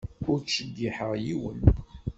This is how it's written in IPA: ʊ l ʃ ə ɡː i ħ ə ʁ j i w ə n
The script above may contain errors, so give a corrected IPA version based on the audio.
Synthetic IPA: ʊ ɾ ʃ ə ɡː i ħ ə ʁ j i w ə n